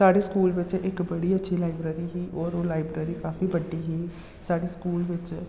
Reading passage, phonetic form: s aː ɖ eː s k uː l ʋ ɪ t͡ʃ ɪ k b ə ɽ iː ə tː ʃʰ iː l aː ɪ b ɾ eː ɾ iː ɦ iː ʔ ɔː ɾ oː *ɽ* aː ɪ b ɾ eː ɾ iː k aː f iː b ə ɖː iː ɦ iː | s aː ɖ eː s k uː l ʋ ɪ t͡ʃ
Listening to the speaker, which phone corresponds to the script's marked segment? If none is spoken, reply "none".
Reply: l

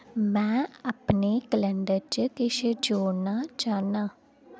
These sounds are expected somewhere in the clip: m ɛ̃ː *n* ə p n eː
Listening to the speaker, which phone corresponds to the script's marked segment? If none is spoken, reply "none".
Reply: none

